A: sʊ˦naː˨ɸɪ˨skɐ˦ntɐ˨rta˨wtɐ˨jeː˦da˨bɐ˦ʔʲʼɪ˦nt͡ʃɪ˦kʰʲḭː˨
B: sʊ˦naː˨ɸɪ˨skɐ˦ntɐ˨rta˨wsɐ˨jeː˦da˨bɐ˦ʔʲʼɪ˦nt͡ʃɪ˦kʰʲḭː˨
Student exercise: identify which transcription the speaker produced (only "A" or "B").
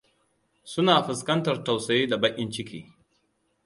B